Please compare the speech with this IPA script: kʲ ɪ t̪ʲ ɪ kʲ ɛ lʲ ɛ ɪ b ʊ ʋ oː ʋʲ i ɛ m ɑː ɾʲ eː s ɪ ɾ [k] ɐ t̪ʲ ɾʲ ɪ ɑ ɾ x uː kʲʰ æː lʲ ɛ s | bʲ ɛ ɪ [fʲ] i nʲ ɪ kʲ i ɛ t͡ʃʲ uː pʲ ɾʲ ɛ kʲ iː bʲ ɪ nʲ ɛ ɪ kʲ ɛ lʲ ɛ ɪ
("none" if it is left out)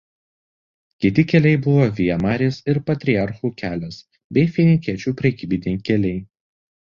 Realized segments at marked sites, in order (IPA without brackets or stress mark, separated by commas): p, fʲ